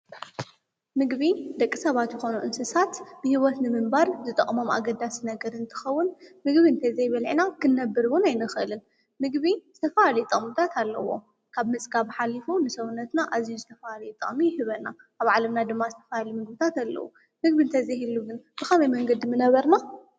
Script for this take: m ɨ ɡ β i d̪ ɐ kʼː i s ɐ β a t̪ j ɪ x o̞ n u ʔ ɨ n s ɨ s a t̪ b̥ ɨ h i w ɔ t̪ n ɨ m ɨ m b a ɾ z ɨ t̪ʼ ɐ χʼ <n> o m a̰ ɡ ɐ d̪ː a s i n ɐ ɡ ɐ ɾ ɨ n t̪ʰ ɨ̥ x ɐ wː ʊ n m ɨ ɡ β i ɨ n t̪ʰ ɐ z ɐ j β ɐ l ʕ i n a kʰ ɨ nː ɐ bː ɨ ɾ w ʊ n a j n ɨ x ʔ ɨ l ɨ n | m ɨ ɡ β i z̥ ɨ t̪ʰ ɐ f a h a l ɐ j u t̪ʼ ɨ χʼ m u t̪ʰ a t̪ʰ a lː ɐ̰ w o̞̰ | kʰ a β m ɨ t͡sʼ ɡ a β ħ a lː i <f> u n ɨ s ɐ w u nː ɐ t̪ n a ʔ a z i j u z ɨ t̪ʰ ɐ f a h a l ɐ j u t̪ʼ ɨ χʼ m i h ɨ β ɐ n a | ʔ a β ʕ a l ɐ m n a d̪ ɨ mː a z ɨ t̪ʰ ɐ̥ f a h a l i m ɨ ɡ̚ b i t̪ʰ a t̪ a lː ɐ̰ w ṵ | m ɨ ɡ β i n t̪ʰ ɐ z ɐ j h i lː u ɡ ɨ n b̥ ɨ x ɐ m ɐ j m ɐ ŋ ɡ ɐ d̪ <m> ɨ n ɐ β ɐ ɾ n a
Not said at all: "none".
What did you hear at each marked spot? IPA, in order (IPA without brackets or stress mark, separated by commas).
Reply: m, f, m